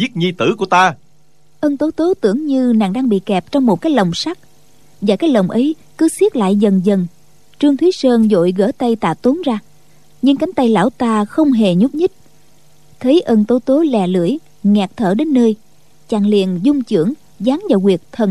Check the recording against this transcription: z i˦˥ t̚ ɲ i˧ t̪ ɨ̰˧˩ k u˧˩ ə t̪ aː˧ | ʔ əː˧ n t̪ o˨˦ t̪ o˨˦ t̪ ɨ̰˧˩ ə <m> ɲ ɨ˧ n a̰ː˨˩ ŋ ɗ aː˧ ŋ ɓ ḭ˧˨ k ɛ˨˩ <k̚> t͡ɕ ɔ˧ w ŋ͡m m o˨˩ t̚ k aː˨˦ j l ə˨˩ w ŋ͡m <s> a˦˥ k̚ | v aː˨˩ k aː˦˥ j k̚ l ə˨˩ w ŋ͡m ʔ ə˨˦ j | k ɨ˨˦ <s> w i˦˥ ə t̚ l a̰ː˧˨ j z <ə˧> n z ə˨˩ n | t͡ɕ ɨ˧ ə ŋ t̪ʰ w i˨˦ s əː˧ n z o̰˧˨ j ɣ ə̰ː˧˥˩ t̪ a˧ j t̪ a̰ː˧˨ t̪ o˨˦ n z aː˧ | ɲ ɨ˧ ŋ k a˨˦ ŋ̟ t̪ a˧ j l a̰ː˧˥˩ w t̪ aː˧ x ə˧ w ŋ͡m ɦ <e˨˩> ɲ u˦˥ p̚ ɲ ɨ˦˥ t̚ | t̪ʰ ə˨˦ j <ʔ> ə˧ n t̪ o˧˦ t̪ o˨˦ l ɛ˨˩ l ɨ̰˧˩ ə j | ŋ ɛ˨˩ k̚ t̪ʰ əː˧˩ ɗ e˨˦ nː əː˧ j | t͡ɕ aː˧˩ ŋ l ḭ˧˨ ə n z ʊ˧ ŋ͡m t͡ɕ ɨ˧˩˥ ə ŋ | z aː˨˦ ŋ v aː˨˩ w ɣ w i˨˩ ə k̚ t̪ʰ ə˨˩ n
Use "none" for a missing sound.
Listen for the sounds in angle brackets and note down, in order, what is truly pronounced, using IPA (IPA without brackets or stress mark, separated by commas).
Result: ŋ, p̚, s, s, ə˨˩, e˨˩, ʔ